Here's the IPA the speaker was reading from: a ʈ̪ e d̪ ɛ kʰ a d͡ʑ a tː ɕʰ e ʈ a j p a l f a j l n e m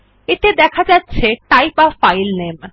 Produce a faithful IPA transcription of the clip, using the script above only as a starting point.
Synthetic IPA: e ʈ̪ e d̪ ɛ kʰ a d͡ʑ a tː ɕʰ e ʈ a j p a f a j l n e m